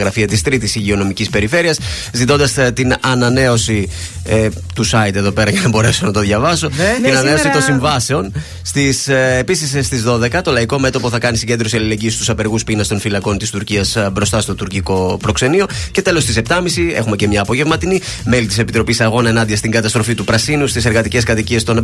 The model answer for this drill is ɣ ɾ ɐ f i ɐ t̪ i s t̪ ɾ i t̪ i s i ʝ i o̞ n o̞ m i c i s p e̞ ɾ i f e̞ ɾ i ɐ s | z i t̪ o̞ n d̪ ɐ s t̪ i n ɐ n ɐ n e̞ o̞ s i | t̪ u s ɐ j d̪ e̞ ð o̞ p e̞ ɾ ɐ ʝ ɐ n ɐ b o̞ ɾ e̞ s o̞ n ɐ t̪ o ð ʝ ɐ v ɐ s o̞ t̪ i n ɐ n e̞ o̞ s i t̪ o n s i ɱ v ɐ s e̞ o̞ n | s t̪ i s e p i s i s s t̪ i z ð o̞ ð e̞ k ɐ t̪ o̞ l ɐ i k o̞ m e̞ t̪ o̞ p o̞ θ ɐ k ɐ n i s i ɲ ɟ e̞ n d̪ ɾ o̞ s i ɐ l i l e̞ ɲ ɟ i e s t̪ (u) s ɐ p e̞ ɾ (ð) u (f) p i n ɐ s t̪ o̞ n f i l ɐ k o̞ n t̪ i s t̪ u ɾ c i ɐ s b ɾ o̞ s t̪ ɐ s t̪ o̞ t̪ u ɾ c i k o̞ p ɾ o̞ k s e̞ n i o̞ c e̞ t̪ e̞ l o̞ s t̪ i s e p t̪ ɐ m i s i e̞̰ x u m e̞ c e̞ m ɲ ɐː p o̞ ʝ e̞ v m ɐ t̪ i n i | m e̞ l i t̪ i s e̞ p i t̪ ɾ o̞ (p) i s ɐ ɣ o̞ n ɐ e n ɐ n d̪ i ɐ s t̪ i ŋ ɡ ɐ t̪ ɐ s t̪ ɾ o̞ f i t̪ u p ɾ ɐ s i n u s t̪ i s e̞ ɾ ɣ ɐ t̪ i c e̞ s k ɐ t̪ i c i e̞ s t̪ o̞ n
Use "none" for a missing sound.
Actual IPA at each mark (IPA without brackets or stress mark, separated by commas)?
u, ɣ, s, p